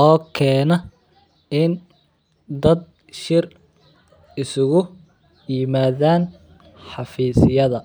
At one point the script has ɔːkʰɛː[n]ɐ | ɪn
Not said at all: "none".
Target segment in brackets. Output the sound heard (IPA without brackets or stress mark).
n